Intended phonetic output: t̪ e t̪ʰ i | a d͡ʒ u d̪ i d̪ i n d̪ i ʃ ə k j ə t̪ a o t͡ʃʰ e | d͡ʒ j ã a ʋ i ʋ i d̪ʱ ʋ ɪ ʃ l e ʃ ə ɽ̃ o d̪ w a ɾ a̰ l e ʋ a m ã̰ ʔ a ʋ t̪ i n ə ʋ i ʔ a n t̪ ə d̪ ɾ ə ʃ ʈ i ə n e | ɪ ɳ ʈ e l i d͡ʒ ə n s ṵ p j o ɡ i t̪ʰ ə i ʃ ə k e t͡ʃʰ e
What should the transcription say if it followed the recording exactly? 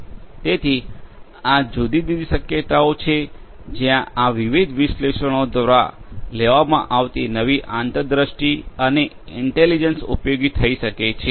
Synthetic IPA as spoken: t̪ e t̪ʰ i | a d͡ʒ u d̪ i d̪ i d̪ i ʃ ə k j ə t̪ a o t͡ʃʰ e | d͡ʒ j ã a ʋ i ʋ i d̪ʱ ʋ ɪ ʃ l e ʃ ə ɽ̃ o d̪ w a ɾ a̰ l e ʋ a m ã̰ ʔ a ʋ t̪ i n ə ʋ i ʔ a n t̪ ə d̪ ɾ ə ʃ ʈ i ə n e | ɪ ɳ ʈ e l i d͡ʒ ə n s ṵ p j o ɡ i t̪ʰ ə i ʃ ə k e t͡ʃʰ e